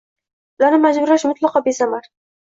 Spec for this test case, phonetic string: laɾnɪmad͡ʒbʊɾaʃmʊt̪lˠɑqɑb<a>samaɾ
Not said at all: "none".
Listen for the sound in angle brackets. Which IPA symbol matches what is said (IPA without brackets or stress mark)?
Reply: e